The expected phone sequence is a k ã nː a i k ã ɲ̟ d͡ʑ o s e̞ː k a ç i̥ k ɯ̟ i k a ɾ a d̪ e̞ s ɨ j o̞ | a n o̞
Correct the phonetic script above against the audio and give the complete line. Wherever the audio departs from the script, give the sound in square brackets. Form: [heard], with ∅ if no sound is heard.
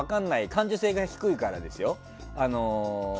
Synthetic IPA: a k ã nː a i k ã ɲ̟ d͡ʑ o s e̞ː [ɡ] a ç i̥ k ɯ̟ i k a ɾ a d̪ e̞ s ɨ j o̞ | a n o̞